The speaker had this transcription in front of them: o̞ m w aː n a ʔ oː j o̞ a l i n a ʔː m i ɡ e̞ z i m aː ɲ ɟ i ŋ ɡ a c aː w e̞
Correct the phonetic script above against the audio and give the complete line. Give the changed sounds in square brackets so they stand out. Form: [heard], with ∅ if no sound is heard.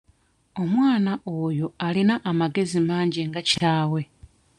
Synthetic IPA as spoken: o̞ m w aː n a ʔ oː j o̞ a l i n a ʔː m [a] ɡ e̞ z i m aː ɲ ɟ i ŋ ɡ a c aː w e̞

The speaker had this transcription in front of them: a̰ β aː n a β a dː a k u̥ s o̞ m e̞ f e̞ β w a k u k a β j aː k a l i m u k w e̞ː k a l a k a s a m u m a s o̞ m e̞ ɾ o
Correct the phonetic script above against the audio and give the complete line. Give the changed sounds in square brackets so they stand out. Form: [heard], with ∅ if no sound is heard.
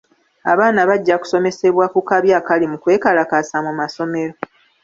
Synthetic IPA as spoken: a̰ β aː n a β a [ɟː] a k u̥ s o̞ m e̞ [s] e̞ β w a k u k a β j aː k a l i m u k w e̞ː k a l a k a s a m u m a s o̞ m e̞ ɾ o

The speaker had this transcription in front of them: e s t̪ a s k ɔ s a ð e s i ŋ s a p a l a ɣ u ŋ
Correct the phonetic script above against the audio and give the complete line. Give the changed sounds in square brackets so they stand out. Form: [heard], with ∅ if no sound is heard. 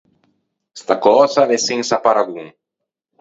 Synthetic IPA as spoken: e s t̪ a [∅] k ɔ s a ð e s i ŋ s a p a [ɾ] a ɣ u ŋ

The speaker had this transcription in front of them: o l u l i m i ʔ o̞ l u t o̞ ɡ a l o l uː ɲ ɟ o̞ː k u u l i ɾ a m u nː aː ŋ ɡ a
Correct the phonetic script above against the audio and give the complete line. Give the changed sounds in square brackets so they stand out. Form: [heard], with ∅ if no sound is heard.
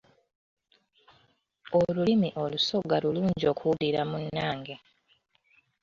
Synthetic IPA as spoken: o l u l i m i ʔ o̞ l u [s] o̞ ɡ a l [u] l uː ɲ ɟ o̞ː k u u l i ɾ a m u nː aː ŋ ɡ [e]

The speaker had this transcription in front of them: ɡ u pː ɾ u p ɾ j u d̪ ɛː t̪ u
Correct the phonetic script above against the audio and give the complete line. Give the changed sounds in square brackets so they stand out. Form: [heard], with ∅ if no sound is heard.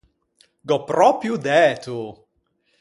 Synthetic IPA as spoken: ɡ [ɔ] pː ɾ [ɔ] p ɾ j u d̪ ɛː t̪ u

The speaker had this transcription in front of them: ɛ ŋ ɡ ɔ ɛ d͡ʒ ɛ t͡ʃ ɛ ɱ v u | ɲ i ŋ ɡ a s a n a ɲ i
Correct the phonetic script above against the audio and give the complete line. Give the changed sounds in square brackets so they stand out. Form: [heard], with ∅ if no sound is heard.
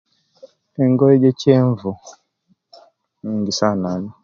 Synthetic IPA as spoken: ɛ ŋ ɡ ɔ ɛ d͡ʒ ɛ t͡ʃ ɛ ɱ v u | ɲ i ŋ ɡ [i] s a n a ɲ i

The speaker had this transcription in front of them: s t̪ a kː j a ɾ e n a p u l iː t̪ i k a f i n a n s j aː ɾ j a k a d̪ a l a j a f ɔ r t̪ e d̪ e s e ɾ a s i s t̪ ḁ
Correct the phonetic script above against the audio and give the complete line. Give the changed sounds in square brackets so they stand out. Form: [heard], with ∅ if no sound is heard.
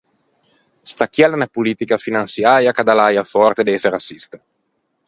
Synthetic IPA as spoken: s t̪ a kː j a [l] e n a p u l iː t̪ i k a f i n a n s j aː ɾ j a k a d̪ a l a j a f ɔ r t̪ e d̪ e s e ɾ a s i s t̪ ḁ

